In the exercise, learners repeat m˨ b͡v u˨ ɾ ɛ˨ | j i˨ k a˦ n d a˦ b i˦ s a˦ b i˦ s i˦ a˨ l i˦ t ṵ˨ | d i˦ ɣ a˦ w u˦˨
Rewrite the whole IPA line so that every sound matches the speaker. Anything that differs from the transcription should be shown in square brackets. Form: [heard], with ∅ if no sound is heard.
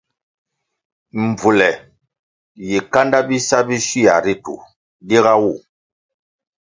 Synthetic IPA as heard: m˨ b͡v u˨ [l] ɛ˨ | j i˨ k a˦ n d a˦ b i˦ s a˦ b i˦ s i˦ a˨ [ɾ] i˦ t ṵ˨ | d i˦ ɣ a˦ w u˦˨